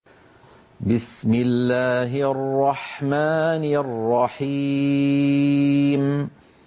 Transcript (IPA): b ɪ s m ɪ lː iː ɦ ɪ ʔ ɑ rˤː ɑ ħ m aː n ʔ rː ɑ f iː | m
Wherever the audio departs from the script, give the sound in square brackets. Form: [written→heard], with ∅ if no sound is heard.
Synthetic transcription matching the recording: b ɪ s m ɪ lː [iː→aː] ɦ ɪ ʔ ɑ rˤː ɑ ħ m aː n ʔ rː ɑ [f→ħ] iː | m